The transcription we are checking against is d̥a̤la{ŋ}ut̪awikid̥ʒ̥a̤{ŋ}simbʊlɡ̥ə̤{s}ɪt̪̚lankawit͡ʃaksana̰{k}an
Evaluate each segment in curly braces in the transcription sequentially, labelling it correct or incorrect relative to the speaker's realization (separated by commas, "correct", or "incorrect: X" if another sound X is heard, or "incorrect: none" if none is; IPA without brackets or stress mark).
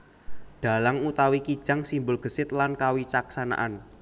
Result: correct, correct, correct, incorrect: ʔ